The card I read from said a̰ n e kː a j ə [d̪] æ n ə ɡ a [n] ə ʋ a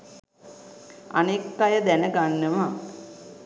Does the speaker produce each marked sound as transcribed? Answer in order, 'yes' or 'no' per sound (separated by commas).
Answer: yes, no